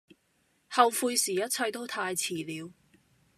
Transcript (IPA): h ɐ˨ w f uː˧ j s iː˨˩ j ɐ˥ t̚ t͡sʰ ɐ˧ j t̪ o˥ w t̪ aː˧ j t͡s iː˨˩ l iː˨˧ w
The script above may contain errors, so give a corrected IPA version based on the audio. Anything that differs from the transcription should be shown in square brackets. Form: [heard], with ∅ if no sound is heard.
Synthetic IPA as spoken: h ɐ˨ w f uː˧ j s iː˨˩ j ɐ˥ t̚ t͡sʰ ɐ˧ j t̪ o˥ w [t̪ʰ] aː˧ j [t͡sʰ] iː˨˩ l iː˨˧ w